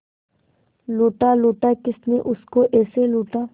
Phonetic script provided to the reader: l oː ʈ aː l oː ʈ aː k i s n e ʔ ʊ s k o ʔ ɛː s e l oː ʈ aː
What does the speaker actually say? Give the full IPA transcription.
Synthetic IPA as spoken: l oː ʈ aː l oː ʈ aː k ɪ s n e ʔ ʊ s k o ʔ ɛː s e l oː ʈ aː

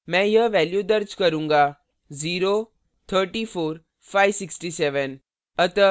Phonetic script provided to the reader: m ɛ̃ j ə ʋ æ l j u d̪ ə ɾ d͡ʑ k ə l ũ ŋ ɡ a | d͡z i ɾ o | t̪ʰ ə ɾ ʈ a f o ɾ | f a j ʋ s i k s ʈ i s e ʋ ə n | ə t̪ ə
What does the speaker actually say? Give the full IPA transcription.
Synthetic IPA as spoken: m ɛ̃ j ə ʋ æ l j u d̪ ə ɾ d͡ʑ k ə ɾ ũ ŋ ɡ a | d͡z i ɾ o | t̪ʰ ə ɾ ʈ i f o ɾ | f a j ʋ s i k s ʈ i s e ʋ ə n | ə t̪ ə

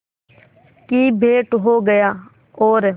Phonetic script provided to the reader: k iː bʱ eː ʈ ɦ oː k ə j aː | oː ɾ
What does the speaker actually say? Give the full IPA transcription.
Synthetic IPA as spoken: k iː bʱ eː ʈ ɦ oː ɡ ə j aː | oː ɾ

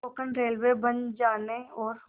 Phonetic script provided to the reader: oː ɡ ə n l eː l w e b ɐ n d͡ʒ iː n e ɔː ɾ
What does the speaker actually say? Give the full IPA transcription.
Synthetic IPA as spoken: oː k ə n ɾ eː l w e b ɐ n d͡ʒ aː n e ɔː ɾ

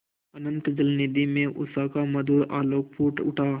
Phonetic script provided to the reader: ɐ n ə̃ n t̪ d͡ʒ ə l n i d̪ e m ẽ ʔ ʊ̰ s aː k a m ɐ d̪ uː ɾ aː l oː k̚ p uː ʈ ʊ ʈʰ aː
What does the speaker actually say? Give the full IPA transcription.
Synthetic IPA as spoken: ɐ n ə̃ n t̪ d͡ʒ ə l n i d̪ i m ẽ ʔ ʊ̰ s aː k a m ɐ d̪ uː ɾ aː l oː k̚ p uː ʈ ʊ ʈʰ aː

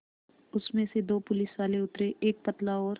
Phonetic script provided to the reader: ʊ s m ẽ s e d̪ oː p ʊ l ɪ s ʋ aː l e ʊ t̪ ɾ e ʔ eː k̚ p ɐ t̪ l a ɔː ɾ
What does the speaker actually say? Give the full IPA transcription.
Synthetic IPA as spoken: ʊ s m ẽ s e d̪ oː p ʊ l ɪ s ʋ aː l e ʊ t̪ ɾ e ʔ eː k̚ p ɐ t̪ l a ɔː ɾ

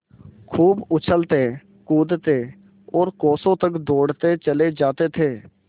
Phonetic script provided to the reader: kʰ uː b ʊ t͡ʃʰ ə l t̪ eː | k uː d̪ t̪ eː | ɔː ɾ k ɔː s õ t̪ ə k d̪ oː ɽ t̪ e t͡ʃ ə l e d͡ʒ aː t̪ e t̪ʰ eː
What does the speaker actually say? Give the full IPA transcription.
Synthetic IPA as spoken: kʰ uː b ʊ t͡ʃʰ ə l t̪ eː | k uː d̪ t̪ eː | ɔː ɾ k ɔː s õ t̪ ə k d̪ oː ɽ t̪ e t͡ʃ ə l e d͡ʒ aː t̪ e t̪ʰ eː

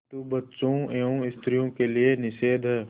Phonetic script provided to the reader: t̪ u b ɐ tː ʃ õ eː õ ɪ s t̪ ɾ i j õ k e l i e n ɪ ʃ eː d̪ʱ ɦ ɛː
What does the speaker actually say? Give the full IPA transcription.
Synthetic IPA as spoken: t̪ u b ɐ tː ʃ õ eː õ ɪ s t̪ ɾ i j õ k e l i e n ɪ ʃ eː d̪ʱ ɦ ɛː

